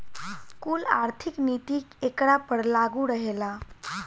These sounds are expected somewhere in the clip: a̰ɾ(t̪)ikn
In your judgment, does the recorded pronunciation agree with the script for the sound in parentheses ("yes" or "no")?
no